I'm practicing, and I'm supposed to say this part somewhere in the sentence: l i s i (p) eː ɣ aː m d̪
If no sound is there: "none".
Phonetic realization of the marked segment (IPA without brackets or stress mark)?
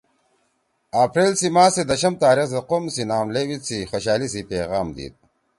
p